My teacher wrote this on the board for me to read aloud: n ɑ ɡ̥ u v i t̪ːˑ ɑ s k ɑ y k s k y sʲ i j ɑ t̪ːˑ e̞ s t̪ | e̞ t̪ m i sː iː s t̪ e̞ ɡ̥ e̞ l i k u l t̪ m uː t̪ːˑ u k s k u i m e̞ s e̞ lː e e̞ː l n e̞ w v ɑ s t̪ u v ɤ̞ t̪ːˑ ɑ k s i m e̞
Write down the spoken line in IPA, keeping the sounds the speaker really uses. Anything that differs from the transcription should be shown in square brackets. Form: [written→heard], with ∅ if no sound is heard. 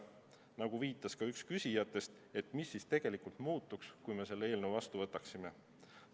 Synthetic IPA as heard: n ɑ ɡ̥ u v [i→iː] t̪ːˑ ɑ s k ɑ y k s k y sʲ i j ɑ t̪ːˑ e̞ s t̪ | e̞ t̪ m i sː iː s t̪ e̞ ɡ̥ e̞ l i k u l t̪ m uː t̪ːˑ u k s k u [i→j] m e̞ s e̞ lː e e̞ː l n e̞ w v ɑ s t̪ u v ɤ̞ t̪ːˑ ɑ k s i m e̞